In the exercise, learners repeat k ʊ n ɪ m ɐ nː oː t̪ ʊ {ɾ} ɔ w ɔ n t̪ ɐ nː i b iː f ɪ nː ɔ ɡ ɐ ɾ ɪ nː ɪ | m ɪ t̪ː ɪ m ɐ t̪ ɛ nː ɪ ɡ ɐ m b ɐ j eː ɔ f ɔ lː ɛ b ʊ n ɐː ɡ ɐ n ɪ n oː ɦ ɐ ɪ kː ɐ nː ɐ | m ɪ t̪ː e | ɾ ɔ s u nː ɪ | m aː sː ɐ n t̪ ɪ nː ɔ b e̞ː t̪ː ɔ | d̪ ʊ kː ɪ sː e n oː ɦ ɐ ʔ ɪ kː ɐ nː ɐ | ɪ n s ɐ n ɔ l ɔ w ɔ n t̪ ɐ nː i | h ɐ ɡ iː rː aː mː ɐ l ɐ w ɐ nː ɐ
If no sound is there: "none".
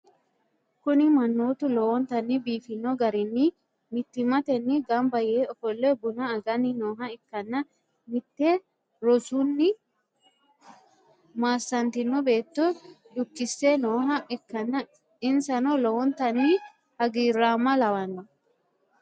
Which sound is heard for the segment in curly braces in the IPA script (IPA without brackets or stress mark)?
l